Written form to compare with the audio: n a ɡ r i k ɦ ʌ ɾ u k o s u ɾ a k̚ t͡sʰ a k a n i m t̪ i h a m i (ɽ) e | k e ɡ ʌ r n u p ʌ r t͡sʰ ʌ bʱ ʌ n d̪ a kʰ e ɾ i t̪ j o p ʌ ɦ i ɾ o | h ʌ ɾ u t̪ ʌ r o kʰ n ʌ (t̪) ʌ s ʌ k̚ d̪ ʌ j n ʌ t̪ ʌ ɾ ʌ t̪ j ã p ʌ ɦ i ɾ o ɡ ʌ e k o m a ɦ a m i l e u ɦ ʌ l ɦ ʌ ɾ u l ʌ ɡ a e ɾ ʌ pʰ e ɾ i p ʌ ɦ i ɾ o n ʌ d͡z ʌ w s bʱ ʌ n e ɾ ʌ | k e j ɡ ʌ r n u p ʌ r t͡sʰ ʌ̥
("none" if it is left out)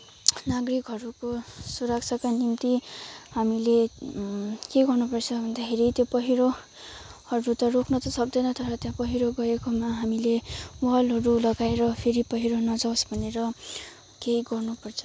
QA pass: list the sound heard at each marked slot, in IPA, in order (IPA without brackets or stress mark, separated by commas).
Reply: l, t̪